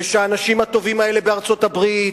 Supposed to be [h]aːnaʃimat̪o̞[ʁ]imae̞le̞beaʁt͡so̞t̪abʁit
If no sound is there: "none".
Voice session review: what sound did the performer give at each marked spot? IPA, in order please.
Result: ʃ, v

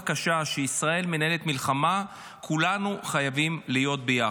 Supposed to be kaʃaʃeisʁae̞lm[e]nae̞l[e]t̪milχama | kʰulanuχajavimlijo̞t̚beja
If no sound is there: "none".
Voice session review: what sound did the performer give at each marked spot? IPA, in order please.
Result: e, e

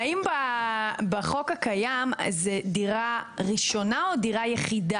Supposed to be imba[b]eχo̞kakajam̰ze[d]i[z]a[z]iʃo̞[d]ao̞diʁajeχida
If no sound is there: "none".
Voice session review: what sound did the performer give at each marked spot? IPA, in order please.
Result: b, d, ʁ, ʁ, n

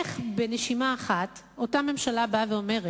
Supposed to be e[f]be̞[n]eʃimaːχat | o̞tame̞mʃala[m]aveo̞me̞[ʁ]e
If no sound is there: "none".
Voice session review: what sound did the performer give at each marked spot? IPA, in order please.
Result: χ, n, b, ʁ

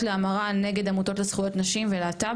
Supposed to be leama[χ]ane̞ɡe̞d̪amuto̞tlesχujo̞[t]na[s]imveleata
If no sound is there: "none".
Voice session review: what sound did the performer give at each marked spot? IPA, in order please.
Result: ʁ, t, ʃ

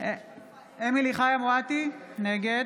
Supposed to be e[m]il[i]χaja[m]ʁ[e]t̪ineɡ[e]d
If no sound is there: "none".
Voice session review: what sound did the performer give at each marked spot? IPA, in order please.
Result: m, i, m, a, e

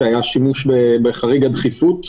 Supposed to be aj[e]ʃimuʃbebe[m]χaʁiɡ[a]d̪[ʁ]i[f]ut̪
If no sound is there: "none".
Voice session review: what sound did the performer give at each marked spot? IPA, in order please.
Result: a, none, a, χ, f

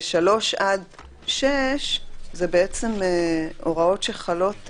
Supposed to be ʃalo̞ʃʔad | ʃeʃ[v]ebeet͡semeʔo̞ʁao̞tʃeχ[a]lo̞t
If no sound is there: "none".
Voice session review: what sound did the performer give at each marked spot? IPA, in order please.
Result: z, a

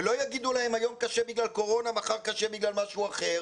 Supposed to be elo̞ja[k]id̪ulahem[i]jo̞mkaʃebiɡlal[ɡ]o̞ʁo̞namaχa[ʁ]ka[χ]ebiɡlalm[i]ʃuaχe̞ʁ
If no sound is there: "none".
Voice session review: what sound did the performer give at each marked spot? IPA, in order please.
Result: ɡ, a, k, ʁ, ʃ, a

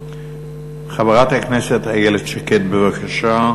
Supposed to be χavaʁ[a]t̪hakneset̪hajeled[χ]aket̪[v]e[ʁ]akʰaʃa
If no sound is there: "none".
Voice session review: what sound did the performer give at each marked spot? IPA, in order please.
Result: a, ʃ, b, v

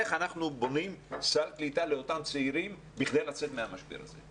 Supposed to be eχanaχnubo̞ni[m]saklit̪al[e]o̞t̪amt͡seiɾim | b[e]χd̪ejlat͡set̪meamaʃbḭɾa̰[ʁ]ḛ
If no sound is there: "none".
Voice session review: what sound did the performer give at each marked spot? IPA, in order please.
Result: m, e, i, z

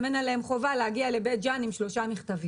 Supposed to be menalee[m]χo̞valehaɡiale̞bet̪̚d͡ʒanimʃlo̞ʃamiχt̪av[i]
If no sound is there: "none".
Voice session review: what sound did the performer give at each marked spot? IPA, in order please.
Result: m, i

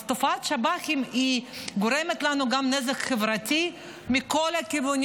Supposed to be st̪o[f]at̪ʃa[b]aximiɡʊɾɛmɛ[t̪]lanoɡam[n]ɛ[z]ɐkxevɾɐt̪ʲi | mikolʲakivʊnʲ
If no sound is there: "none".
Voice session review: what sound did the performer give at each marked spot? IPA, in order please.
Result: f, b, t̪, n, z

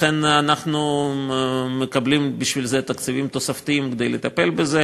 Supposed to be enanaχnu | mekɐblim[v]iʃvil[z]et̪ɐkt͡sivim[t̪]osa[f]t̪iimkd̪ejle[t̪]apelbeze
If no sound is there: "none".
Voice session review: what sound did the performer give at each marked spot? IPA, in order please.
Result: b, z, t̪, f, t̪

